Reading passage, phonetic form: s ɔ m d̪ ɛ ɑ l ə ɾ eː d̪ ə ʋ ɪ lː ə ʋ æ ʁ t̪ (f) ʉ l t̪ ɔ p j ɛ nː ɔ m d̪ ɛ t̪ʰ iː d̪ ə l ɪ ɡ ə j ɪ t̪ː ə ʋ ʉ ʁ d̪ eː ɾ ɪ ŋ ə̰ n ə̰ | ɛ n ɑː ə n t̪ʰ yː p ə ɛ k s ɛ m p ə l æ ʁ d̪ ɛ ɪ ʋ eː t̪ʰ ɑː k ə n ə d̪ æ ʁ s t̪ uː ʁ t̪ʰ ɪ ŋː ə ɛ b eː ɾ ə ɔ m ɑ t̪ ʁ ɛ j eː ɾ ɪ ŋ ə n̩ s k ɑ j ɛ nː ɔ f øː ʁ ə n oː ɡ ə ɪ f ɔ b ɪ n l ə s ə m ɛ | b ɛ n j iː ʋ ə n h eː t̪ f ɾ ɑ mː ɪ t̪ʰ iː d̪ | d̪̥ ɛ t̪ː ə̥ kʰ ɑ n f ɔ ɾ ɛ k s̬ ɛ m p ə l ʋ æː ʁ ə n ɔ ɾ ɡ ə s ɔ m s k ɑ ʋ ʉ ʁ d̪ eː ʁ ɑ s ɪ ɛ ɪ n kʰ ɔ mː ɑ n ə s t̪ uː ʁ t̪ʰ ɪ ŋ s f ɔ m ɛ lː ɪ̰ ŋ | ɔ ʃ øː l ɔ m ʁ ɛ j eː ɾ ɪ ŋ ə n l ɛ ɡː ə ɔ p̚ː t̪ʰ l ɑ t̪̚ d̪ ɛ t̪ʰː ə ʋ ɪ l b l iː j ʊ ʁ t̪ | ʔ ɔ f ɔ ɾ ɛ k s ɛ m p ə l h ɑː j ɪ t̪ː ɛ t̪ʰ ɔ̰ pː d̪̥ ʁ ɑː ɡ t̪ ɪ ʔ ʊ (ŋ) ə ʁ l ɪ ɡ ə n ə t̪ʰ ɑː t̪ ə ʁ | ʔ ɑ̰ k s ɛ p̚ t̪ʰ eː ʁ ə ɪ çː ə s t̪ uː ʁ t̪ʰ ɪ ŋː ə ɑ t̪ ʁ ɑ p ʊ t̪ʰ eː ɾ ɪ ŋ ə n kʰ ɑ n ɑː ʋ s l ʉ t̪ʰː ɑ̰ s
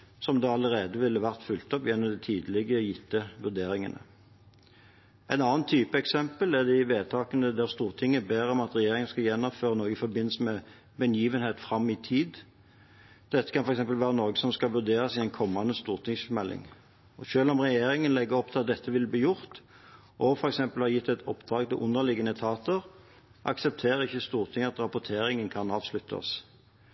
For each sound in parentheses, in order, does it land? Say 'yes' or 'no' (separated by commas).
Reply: yes, no